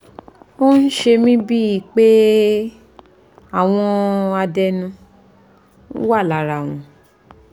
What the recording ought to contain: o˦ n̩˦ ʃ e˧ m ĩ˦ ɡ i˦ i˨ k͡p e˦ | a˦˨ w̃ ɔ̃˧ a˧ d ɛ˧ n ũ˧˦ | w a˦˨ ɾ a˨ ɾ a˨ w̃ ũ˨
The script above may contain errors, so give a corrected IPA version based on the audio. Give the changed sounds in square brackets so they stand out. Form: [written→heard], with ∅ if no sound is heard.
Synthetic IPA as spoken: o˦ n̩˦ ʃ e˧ m ĩ˦ [ɡ→b] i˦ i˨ k͡p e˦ | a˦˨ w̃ ɔ̃˧ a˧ d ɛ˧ n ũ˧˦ | w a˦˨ [ɾ→l] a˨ ɾ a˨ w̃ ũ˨